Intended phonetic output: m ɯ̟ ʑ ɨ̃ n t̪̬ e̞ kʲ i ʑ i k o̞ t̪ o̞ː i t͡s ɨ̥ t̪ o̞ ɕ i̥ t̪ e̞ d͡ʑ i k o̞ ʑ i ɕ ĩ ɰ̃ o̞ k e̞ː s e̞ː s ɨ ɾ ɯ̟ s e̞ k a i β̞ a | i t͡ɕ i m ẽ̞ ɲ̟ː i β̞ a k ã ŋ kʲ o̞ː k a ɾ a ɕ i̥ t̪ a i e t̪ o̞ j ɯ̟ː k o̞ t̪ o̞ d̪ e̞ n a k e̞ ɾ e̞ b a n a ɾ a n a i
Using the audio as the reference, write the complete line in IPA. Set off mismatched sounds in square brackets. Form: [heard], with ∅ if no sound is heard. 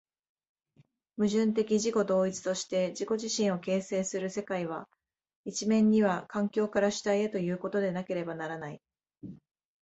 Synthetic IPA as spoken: m ɯ̟ ʑ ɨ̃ n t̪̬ e̞ kʲ i ʑ i k o̞ [d̪] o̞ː i t͡s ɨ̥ t̪ o̞ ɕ i̥ t̪ e̞ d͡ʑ i k o̞ ʑ i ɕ ĩ ɰ̃ o̞ k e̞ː s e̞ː s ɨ ɾ ɯ̟ s e̞ k a i β̞ a | i t͡ɕ i m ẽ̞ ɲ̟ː i β̞ a k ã ŋ kʲ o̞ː k a ɾ a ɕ i̥ t̪ a i e t̪ o̞ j ɯ̟ː k o̞ t̪ o̞ d̪ e̞ n a k e̞ ɾ e̞ b a n a ɾ a n a i